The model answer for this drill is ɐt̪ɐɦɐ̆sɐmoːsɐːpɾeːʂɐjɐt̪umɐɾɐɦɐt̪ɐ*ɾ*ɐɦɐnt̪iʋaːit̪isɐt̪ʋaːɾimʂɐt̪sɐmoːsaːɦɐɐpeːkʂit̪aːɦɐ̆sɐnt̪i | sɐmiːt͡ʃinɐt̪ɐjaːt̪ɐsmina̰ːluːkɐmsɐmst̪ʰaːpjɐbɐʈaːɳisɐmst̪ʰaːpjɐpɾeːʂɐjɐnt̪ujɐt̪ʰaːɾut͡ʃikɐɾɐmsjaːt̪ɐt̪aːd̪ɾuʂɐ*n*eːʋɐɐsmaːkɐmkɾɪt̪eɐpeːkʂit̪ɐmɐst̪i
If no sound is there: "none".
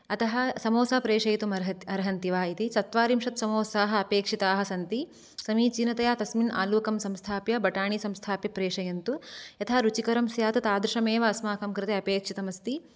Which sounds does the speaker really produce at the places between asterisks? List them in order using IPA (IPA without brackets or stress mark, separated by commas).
ɾ, m